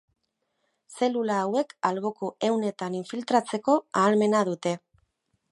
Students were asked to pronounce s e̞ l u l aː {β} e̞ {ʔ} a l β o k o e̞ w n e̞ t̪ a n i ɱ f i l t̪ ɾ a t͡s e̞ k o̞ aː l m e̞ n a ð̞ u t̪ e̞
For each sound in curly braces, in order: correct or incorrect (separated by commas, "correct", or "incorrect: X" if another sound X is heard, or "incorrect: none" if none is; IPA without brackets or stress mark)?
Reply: incorrect: w, incorrect: k